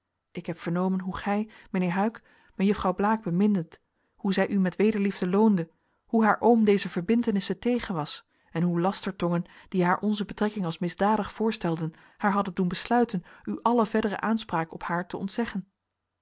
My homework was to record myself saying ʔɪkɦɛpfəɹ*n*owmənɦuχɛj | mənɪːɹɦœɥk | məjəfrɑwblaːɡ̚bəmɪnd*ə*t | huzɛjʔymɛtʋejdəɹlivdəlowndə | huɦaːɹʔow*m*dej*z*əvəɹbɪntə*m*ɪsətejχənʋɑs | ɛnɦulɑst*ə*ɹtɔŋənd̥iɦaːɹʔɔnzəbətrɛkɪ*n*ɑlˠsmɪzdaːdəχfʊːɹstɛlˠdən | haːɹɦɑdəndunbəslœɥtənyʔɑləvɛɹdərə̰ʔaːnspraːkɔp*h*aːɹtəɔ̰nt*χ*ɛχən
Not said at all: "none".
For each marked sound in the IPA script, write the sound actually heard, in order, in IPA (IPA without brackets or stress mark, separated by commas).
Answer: n, ə, m, z, n, ə, ŋ, h, s